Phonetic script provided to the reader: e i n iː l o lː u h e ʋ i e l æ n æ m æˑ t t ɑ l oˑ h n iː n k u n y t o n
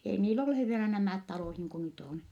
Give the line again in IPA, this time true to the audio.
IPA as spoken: e i n iː l o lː u h e ʋ i e l æ n æ m æˑ t t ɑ l oˑ h n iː ŋ k u n y t o n